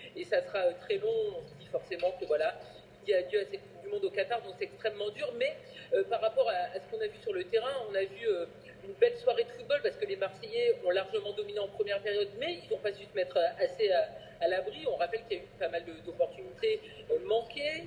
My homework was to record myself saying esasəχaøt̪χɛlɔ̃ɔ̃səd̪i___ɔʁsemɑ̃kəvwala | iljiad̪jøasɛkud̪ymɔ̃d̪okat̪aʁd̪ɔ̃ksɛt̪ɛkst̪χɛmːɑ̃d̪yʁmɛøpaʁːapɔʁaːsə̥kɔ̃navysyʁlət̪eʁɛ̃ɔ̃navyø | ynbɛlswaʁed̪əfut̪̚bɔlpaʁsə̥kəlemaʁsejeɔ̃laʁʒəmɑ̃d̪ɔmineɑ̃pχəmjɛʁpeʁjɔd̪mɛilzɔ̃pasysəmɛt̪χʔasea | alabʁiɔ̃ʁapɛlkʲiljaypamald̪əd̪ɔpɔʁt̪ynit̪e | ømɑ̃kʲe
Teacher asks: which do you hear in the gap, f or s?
f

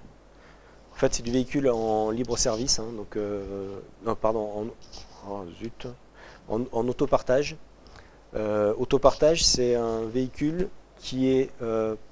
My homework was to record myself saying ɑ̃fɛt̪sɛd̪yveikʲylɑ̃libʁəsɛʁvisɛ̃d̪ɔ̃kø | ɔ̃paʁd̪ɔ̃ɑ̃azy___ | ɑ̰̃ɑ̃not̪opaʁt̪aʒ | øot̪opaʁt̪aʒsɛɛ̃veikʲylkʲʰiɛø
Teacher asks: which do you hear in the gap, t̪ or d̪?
t̪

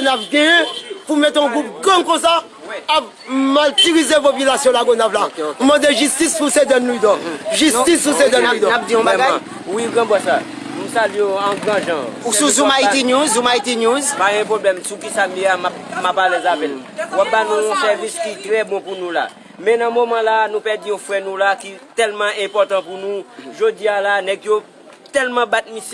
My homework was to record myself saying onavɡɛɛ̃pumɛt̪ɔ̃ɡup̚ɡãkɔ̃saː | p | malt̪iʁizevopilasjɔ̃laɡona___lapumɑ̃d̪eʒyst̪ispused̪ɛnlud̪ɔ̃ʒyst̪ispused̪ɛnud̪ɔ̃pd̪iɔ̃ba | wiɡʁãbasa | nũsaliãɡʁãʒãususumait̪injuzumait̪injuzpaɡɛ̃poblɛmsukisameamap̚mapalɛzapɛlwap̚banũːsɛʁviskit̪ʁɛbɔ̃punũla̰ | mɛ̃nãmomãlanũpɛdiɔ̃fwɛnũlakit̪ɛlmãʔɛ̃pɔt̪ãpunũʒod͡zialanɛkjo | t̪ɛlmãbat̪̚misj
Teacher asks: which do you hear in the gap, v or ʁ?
v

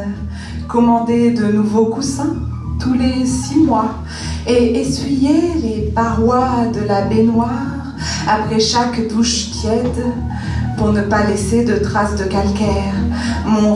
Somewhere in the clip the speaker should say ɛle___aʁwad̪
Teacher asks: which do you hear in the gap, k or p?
p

